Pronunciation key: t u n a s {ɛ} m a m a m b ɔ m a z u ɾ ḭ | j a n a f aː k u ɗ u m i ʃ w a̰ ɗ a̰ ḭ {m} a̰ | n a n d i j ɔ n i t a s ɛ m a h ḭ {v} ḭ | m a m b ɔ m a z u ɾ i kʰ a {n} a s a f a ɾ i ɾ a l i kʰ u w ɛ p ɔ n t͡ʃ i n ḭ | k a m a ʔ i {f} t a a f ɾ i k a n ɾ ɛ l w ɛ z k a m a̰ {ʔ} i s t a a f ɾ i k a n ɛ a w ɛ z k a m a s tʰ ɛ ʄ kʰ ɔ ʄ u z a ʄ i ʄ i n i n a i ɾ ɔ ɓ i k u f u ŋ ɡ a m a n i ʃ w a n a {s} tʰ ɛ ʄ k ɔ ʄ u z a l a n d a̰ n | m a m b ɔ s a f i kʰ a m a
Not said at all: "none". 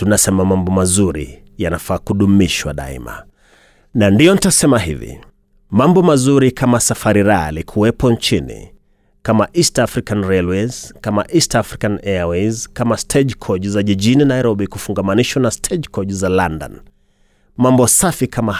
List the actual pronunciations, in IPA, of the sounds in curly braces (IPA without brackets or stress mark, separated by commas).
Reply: ɛ, m, v, m, s, ʔ, s